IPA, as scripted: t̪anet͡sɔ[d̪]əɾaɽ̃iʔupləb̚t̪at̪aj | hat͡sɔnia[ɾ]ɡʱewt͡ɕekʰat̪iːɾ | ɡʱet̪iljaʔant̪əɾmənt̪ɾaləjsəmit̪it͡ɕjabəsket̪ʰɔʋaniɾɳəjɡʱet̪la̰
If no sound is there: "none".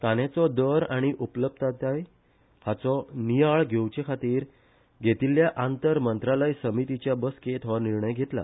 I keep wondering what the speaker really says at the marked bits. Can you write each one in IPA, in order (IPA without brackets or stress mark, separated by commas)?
d̪, ɭ